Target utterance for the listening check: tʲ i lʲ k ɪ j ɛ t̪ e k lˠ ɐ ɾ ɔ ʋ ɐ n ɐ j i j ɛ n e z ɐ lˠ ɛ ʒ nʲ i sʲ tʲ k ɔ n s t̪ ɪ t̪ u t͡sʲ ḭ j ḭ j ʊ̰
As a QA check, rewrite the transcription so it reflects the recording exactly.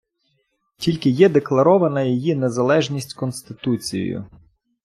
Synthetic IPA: tʲ i lʲ k ɪ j ɛ d̪ e k lˠ ɐ ɾ ɔ ʋ ɐ n ɐ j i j i n e z ɐ lˠ ɛ ʒ nʲ i sʲ tʲ k ɔ n s t̪ ɪ t̪ u t͡sʲ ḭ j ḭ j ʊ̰

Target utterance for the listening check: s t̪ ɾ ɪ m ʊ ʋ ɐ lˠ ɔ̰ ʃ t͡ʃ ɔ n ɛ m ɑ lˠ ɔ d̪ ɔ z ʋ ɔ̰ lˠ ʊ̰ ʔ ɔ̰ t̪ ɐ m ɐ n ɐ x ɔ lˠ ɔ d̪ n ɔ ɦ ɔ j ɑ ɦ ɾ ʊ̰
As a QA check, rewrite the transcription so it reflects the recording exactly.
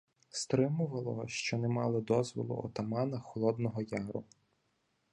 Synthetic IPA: s t̪ ɾ ɪ m ʊ ʋ ɐ lˠ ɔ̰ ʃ t͡ʃ ɔ n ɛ m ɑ lˠ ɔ d̪ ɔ z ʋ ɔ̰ lˠ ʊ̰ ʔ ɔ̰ t̪ ɐ m ɑ n ɐ x ɔ lˠ ɔ d̪ n ɔ ɦ ɔ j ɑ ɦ ɾ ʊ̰

